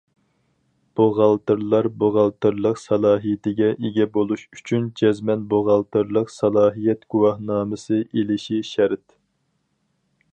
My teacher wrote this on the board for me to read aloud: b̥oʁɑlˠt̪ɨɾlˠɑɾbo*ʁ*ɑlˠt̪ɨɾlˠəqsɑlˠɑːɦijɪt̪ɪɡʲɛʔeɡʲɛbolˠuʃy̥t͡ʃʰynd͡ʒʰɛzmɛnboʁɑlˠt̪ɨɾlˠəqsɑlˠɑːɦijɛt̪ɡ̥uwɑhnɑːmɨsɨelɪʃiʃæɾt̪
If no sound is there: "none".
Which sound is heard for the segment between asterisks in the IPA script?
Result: ʁ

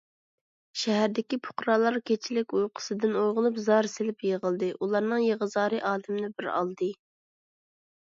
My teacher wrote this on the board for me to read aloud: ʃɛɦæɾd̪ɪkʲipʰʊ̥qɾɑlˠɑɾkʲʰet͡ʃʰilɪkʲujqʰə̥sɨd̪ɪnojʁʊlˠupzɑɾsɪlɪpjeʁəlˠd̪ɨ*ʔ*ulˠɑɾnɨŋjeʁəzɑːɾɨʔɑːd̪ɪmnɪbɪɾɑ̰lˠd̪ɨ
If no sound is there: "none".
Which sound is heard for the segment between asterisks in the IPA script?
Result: ʔ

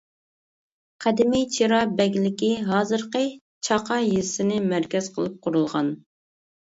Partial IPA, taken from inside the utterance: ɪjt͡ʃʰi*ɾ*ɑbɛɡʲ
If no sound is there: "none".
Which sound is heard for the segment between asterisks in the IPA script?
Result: ɾ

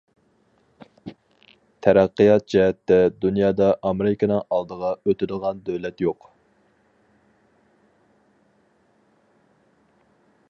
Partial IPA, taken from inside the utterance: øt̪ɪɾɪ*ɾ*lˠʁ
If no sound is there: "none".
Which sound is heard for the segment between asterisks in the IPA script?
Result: none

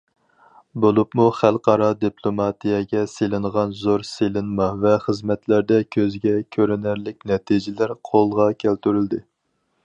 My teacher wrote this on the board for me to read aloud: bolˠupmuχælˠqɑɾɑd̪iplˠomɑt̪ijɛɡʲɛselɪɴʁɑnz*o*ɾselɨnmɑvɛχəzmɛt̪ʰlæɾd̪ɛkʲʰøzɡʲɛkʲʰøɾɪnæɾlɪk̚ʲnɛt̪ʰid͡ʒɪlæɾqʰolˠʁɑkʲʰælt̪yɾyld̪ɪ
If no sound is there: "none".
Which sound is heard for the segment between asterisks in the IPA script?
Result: o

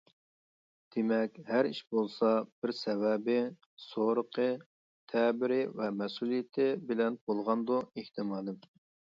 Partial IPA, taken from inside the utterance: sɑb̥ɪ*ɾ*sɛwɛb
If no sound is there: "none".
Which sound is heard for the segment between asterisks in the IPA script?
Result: ɾ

